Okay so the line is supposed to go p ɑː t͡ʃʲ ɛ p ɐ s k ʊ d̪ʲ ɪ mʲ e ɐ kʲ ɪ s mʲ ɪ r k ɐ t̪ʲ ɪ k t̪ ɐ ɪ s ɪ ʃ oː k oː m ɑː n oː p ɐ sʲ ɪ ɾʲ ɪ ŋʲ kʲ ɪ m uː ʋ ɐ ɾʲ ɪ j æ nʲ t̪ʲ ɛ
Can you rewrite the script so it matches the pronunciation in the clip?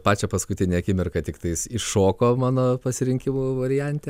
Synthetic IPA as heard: p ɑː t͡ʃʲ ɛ p ɐ s k ʊ t̪ʲ ɪ nʲ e ɐ kʲ ɪ mʲ ɪ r k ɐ t̪ʲ ɪ k t̪ ɐ ɪ s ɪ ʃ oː k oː m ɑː n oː p ɐ sʲ ɪ ɾʲ ɪ ŋʲ kʲ ɪ m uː ʋ ɐ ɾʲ ɪ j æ nʲ t̪ʲ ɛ